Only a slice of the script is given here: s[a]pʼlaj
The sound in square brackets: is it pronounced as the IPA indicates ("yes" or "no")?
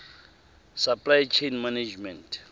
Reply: yes